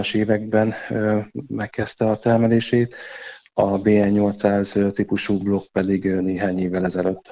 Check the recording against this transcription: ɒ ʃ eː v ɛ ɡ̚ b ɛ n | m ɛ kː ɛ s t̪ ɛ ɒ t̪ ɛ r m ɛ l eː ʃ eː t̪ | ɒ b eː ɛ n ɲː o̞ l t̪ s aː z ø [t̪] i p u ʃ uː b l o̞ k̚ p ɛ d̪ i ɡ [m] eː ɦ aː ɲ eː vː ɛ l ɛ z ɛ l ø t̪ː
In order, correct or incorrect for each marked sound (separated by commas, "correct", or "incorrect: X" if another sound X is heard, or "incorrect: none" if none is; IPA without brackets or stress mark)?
correct, incorrect: n